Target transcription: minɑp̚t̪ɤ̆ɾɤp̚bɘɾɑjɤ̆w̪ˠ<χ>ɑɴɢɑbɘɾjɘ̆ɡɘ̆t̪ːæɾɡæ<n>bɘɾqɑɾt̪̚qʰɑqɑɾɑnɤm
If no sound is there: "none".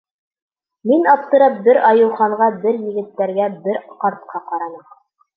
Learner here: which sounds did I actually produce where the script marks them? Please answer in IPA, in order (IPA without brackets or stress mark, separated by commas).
χ, none